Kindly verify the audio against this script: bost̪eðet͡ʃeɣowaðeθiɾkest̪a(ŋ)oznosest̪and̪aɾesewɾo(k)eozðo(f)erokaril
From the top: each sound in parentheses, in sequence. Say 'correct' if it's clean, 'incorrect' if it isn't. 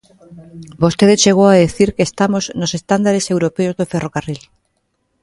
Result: incorrect, incorrect, correct

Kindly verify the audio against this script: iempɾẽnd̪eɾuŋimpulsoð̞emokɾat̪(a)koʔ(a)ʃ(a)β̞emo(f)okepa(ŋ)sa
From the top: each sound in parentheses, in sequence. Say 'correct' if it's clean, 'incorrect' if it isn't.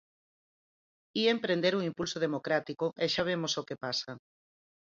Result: incorrect, incorrect, correct, incorrect, incorrect

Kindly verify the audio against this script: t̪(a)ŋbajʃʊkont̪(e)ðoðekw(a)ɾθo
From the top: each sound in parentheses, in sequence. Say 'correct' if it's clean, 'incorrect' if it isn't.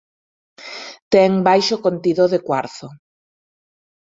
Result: incorrect, incorrect, correct

